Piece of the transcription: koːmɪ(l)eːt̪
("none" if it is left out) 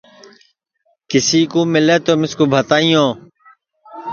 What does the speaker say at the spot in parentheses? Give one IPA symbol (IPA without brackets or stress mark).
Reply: l